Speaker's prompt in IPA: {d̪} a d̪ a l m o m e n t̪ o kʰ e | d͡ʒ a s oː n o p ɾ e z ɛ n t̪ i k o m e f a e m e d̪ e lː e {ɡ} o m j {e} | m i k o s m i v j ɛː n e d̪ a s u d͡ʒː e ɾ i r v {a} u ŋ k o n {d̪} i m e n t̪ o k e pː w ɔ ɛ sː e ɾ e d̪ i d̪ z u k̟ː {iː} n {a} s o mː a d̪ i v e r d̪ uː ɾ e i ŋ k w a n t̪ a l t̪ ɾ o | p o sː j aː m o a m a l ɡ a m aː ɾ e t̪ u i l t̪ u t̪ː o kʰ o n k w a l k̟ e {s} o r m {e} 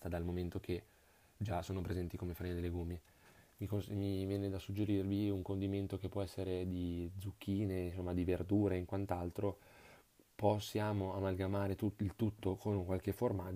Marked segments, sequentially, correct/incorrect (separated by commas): incorrect, correct, correct, incorrect, correct, correct, incorrect, incorrect, incorrect